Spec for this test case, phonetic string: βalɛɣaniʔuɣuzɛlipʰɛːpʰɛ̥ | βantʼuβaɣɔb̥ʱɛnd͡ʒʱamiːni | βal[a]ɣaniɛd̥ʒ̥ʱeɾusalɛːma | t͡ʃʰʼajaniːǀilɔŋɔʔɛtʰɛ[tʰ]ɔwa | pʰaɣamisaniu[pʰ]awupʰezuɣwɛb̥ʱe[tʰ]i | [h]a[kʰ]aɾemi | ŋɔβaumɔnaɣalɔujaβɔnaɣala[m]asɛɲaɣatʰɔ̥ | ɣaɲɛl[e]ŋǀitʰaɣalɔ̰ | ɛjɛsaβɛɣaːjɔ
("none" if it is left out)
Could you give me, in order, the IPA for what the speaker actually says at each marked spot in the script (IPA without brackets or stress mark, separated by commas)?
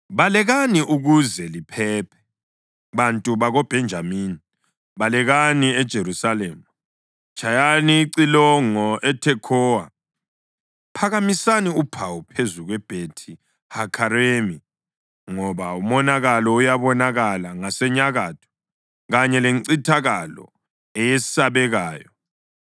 ɛ, kʰ, pʰ, tʰ, h, kʰ, ŋ, e